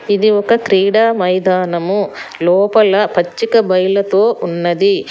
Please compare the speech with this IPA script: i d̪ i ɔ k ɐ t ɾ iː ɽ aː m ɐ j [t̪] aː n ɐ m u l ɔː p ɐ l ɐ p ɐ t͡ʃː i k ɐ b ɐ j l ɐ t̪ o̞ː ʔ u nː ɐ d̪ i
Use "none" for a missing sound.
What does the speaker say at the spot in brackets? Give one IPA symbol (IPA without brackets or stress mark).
d̪